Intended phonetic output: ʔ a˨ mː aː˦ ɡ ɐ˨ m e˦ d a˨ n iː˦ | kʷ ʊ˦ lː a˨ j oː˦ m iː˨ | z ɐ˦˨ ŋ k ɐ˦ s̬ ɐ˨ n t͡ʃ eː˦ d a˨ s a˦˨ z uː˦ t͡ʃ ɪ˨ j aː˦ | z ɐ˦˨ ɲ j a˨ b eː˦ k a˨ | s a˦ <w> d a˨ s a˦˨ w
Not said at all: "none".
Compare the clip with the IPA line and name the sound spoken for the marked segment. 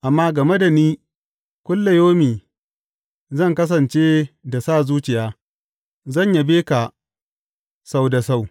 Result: w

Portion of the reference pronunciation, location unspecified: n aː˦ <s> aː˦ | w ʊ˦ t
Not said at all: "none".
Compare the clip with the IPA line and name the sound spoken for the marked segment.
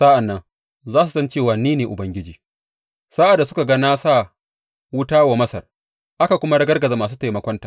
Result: s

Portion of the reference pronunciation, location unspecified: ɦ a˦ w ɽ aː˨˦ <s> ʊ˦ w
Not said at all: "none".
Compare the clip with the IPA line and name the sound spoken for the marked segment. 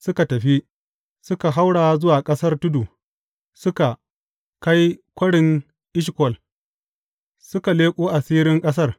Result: z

